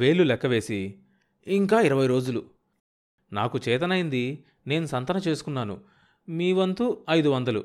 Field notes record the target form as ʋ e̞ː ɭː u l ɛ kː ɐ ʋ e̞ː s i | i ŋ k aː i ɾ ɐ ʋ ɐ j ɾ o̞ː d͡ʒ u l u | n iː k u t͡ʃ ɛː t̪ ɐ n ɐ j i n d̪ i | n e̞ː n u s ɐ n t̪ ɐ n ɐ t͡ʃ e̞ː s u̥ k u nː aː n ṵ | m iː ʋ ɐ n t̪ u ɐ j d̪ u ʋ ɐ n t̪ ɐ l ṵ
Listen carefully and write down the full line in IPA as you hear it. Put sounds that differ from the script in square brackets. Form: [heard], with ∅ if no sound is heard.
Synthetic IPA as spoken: ʋ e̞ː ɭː u l ɛ kː ɐ ʋ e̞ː s i | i ŋ k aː i ɾ ɐ ʋ ɐ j ɾ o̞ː d͡ʒ u l u | n [aː] k u t͡ʃ ɛː t̪ ɐ n ɐ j i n d̪ i | n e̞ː n u s ɐ n t̪ ɐ n ɐ t͡ʃ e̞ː s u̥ k u nː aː n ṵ | m iː ʋ ɐ n t̪ u ɐ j d̪ u ʋ ɐ n [d̪] ɐ l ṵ